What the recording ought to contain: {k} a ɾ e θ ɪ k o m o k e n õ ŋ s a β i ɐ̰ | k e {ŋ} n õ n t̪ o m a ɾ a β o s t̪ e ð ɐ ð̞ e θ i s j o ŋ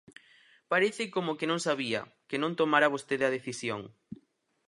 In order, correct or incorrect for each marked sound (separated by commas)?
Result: incorrect, incorrect